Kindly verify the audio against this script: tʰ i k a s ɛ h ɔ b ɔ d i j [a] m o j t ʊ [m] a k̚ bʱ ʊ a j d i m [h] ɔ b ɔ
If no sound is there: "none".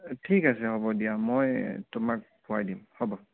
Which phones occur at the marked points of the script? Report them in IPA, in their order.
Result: a, m, h

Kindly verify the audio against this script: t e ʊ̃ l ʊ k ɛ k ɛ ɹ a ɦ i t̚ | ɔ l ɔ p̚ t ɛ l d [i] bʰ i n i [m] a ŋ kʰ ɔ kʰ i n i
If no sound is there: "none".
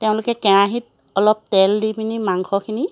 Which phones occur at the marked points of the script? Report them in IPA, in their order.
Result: i, m

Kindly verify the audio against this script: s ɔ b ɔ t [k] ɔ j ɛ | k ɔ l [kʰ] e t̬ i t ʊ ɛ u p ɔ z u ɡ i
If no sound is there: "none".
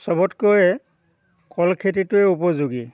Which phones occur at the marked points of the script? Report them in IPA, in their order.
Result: k, kʰ

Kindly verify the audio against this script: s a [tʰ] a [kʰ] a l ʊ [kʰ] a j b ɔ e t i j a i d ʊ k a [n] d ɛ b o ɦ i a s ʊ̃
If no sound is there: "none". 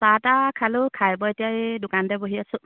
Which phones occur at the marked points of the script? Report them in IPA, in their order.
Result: t, kʰ, kʰ, n

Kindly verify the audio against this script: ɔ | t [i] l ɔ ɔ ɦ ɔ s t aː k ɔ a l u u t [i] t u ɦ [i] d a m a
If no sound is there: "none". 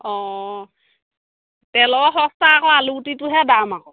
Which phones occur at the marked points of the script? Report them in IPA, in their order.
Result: ɛ, i, ɛ

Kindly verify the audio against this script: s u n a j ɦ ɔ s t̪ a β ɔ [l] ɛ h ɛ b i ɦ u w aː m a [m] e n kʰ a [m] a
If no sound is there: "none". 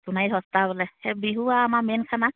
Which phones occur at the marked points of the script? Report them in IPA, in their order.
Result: l, m, n

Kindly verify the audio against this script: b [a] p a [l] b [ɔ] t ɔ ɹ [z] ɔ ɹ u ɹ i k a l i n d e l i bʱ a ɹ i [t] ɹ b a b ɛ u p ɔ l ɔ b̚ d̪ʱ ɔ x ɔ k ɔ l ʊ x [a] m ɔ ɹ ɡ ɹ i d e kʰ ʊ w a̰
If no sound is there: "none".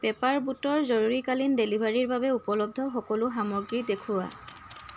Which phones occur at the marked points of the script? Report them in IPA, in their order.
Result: ɛ, ɹ, u, z, none, a

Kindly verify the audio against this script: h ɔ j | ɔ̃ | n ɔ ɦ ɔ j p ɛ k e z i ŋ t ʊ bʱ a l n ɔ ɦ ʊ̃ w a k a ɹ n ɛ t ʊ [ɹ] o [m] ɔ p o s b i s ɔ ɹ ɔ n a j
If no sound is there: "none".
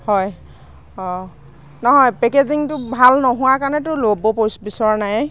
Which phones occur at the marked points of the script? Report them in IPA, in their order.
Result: l, b

